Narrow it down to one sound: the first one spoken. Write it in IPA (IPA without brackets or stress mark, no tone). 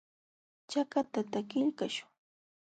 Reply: t͡ʃ